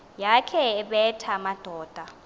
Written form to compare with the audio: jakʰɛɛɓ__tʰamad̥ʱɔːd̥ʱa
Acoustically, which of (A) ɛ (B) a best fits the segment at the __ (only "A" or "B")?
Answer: A